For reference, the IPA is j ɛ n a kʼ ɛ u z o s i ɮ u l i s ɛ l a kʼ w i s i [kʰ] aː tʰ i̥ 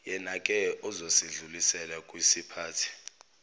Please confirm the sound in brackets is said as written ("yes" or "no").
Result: no